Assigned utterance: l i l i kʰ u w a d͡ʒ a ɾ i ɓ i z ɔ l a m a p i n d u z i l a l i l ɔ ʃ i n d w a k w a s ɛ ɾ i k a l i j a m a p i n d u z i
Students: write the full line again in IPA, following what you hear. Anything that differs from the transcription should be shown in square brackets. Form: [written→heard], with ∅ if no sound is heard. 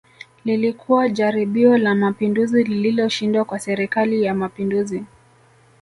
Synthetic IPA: l i l i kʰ u w a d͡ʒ a ɾ i ɓ i [z→∅] ɔ l a m a p i n d u z i l [a→i] l i l ɔ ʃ i n d w a k w a s ɛ ɾ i k a l i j a m a p i n d u z i

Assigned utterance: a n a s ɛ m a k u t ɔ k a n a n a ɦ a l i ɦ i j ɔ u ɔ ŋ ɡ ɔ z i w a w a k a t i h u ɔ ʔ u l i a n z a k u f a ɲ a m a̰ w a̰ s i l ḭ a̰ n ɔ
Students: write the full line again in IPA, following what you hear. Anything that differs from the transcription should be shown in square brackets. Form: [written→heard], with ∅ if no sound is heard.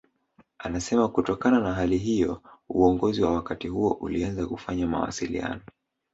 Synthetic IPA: a n a s ɛ m a k u t ɔ k a n a n a ɦ a l i ɦ i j ɔ u ɔ ŋ ɡ ɔ z i w a w a k a t i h u ɔ ʔ u l i a n z a k u f a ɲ a m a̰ w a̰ s i l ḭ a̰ n ɔ

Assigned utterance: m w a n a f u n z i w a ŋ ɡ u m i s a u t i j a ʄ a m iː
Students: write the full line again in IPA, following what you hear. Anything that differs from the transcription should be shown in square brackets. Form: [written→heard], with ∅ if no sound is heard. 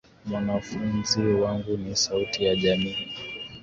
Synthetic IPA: m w a n a f u n z i w a ŋ ɡ u [m→n] i s a u t i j a ʄ a m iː

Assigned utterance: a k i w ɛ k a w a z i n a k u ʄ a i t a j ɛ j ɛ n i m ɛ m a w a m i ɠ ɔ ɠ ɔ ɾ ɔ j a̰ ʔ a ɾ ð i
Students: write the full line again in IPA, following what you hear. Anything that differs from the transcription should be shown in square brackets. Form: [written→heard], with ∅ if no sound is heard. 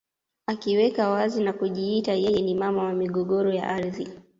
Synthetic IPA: a k i w ɛ k a w a z i n a k u ʄ [a→i] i t a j ɛ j ɛ n i m [ɛ→a] m a w a m i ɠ ɔ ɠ ɔ ɾ ɔ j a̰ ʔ a ɾ ð i

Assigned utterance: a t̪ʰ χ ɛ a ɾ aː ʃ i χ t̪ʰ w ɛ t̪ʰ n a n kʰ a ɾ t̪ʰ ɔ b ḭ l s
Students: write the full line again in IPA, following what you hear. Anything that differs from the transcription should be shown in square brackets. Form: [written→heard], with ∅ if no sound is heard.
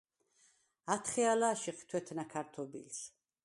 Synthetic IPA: a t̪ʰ χ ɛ a [ɾ→l] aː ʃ i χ t̪ʰ w ɛ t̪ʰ n a [n→∅] kʰ a ɾ t̪ʰ ɔ b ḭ l s

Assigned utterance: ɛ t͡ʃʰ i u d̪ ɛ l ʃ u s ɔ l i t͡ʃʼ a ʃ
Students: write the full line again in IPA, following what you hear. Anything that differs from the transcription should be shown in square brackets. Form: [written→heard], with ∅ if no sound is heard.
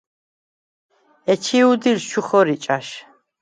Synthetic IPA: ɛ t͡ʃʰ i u d̪ [ɛ→i] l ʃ u [s→χ] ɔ [l→ɾ] i t͡ʃʼ a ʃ

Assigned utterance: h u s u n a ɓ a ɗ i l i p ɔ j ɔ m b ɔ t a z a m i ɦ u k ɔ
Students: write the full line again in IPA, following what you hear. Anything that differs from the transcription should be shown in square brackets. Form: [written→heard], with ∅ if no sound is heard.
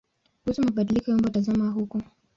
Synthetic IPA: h u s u [n→m] a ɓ a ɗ i l i [p→k] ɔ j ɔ m b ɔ t a z a m [i→a] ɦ u k ɔ

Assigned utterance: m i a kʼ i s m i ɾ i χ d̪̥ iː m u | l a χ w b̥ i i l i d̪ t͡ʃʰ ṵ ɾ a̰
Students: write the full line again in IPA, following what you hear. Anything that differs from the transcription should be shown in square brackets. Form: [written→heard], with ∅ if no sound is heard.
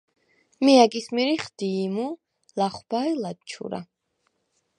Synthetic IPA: m i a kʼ i s m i ɾ i χ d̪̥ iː m u | l a χ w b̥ [i→a] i l [i→a] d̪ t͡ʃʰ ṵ ɾ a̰

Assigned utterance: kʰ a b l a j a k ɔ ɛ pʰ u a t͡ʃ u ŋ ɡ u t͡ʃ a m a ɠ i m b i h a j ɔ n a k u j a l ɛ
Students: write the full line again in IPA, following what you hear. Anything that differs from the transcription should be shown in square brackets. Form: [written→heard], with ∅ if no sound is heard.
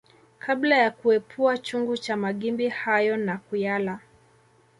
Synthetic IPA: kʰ a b l a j a k [ɔ→u] ɛ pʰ u a t͡ʃ u ŋ ɡ u t͡ʃ a m a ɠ i m b i h a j ɔ n a k u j a l [ɛ→a]

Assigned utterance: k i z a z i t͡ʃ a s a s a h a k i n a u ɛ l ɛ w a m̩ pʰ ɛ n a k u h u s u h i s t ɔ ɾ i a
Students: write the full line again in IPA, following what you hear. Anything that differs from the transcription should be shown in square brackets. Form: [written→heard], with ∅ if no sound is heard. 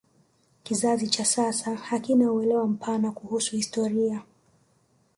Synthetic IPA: k i z a z i t͡ʃ a s a s a h a k i n a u ɛ l ɛ w a m̩ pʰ [ɛ→a] n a k u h u s u h i s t ɔ ɾ i a

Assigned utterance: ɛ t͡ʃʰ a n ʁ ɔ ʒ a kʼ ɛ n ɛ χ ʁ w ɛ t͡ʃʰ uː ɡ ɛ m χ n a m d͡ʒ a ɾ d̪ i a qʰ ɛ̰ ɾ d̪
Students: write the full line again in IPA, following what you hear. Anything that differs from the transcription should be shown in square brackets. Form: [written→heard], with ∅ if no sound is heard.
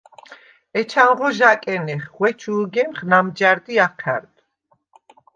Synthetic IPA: ɛ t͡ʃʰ a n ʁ ɔ ʒ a kʼ ɛ n ɛ χ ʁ w ɛ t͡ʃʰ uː ɡ ɛ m χ n a m d͡ʒ a ɾ d̪ i a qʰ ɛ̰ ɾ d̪

